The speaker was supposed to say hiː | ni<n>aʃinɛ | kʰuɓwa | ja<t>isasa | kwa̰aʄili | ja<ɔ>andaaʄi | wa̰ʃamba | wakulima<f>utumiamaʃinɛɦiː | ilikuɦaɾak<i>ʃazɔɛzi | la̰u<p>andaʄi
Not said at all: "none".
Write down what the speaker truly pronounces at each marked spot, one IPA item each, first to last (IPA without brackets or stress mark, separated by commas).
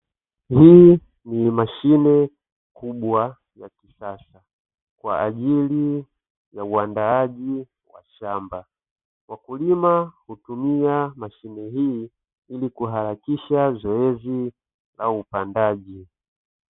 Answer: m, k, u, h, i, p